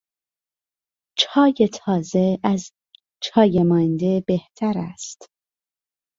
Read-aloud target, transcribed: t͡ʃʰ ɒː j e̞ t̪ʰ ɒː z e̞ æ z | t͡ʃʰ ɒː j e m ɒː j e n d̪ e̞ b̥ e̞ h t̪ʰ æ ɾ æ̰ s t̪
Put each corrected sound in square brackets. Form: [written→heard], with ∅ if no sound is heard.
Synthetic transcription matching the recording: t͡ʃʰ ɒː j e̞ t̪ʰ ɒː z e̞ æ z | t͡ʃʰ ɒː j e m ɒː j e n d̪ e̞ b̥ e̞ h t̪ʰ æ ɾ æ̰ s t̪